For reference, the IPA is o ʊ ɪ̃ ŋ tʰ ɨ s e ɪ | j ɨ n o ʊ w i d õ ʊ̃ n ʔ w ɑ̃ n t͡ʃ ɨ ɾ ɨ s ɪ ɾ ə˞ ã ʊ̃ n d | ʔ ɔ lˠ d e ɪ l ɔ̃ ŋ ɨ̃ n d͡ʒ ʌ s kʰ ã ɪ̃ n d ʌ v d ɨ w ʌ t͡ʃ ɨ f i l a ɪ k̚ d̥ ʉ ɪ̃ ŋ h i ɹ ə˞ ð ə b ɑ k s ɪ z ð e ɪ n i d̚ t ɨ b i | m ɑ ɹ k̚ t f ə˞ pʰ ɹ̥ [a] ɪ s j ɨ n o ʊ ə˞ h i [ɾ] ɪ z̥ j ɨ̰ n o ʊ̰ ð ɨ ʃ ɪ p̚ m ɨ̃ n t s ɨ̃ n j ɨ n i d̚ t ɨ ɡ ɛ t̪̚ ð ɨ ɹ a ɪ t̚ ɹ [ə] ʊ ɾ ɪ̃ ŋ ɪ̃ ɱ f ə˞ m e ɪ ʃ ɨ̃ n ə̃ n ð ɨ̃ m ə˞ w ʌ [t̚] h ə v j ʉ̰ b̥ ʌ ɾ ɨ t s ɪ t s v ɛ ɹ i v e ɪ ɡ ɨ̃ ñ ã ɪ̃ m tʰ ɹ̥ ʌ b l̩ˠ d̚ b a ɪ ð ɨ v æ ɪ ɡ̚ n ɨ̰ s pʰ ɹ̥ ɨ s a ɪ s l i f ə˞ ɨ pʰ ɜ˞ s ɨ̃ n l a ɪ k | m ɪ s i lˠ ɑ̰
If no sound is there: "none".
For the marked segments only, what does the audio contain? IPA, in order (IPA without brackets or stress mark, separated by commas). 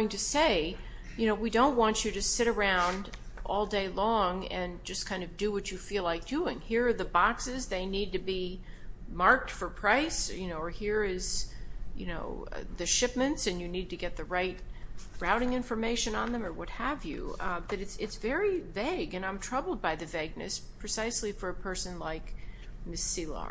a, ɹ, a, t̚